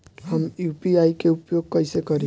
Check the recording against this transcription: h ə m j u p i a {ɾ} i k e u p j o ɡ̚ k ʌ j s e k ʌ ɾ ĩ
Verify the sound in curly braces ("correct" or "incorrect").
incorrect